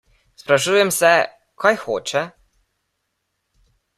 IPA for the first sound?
s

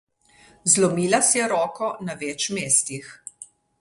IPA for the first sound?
z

